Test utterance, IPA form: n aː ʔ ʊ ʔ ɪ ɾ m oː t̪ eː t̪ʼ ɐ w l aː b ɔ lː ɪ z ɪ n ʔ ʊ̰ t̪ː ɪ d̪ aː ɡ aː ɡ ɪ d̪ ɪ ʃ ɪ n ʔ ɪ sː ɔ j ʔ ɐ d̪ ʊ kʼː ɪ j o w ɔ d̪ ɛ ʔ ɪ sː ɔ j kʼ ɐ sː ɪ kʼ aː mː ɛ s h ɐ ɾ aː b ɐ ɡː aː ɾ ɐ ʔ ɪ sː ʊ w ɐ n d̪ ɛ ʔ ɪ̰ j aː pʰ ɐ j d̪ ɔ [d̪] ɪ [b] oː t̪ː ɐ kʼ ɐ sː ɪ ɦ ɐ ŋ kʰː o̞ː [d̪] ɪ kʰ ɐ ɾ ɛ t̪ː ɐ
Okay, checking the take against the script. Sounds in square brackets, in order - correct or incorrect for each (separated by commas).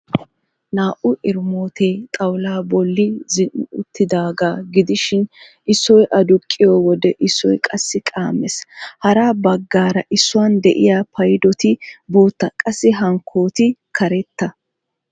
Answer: incorrect, correct, incorrect